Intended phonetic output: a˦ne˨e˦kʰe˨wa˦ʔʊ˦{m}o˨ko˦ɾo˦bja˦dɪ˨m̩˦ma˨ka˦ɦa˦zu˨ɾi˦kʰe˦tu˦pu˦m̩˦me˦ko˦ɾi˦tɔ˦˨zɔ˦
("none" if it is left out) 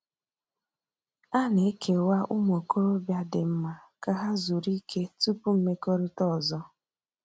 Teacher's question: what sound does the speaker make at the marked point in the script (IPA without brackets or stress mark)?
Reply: m